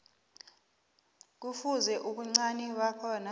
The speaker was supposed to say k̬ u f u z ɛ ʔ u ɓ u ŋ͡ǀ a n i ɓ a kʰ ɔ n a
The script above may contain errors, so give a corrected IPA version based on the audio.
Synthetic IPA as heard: k̬ u f u z ɛ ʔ u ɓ u ŋ͡ǀ a n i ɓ a kʰ ɔ n a